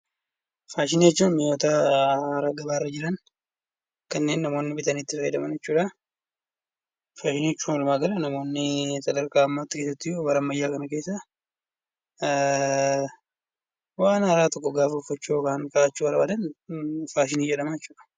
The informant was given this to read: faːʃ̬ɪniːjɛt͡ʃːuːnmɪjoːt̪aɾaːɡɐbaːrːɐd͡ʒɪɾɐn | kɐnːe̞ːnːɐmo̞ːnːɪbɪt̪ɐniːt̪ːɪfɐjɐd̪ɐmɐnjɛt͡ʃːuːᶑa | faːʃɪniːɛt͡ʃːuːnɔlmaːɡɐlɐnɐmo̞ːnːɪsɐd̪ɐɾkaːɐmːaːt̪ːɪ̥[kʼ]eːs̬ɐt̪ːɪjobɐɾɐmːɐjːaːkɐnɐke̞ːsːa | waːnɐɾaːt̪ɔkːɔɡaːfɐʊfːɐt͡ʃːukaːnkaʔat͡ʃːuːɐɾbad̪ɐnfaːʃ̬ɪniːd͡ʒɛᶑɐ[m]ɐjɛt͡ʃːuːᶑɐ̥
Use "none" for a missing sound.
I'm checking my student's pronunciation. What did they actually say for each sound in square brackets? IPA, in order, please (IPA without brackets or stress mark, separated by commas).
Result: k, m